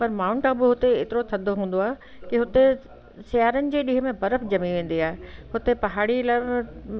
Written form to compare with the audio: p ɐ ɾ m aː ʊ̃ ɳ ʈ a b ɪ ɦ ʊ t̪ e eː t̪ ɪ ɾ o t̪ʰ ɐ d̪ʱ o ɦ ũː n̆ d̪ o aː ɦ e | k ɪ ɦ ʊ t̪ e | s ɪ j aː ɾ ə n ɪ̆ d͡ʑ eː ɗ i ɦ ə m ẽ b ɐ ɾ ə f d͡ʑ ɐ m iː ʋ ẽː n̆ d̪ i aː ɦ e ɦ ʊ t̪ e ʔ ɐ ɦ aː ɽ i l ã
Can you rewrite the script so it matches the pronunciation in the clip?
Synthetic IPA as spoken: p ɐ ɾ m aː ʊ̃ ɳ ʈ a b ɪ ɦ ʊ t̪ e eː t̪ ɪ ɾ o t̪ʰ ɐ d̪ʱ o ɦ ũː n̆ d̪ o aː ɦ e | k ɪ ɦ ʊ t̪ e | s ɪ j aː ɾ ə n ɪ̆ d͡ʑ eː ɗ i ɦ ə m ẽ b ɐ ɾ ə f d͡ʑ ɐ m i ʋ ẽː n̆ d̪ i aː ɦ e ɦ ʊ t̪ e p ɐ ɦ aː ɽ i l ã